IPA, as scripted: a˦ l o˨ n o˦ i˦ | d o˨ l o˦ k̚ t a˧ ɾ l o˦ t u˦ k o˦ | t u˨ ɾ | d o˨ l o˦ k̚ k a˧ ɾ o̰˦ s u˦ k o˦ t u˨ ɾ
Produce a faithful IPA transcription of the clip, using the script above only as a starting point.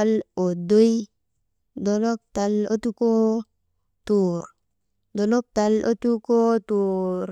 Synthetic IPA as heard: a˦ l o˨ d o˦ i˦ | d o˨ l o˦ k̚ t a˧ l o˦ t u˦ k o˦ | t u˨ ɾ | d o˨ l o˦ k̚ t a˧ l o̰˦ t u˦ k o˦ t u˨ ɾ